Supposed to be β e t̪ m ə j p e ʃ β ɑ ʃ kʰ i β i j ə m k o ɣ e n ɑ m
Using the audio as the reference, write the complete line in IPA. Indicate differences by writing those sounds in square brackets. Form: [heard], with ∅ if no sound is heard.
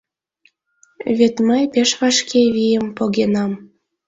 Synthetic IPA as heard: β e t̪ m ə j p e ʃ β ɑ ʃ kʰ [e] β i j ə m [p] o ɣ e n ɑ m